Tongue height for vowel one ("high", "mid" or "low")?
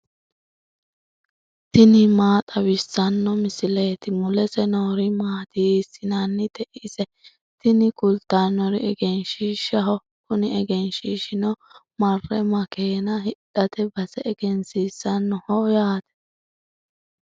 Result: high